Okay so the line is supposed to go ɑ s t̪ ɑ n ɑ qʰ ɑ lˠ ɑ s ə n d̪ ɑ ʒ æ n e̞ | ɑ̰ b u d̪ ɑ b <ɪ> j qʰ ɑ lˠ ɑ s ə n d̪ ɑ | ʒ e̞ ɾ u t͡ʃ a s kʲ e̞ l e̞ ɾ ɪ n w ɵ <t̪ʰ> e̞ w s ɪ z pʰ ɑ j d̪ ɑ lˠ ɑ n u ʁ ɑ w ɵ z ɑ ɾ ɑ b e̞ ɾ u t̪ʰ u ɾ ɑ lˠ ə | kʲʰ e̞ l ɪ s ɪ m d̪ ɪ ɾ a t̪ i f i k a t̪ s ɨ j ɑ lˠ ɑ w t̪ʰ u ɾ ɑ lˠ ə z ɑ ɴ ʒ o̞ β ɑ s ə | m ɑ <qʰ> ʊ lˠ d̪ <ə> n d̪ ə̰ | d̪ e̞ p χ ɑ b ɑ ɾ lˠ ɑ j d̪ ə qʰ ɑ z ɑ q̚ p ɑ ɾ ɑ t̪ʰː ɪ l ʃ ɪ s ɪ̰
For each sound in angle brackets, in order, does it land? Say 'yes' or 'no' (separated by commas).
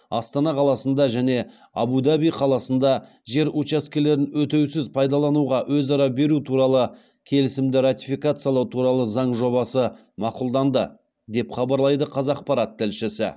no, no, no, no